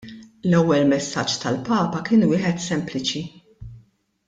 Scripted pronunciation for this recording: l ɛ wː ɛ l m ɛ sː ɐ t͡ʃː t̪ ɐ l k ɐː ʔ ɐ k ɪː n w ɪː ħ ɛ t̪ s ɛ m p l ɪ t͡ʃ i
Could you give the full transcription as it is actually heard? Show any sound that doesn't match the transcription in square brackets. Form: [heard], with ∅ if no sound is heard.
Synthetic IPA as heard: l ɛ wː ɛ l m ɛ sː ɐ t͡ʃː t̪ ɐ l [p] ɐː [p] ɐ k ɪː n w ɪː ħ ɛ t̪ s ɛ m p l ɪ t͡ʃ i